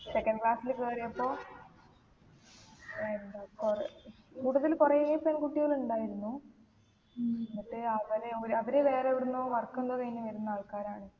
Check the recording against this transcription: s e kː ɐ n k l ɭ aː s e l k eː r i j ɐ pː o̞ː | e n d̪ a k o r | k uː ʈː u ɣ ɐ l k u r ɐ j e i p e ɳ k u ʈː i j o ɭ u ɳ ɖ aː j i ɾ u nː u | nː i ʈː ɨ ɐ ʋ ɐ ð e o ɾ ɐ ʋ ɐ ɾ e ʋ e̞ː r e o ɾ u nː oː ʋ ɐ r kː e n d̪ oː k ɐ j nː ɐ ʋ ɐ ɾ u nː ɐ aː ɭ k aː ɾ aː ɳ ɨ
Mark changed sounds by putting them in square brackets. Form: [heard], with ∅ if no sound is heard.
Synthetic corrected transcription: s e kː ɐ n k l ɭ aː s [i] l k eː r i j ɐ pː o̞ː | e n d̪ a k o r | k uː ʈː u [ð] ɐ l k u r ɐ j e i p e [n] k u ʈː i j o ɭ u ɳ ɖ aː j i ɾ u nː u | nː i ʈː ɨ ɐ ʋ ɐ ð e o ɾ ɐ ʋ ɐ ɾ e ʋ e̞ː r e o ɾ u nː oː ʋ ɐ r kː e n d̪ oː k ɐ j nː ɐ ʋ ɐ ɾ u nː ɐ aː ɭ k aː ɾ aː ɳ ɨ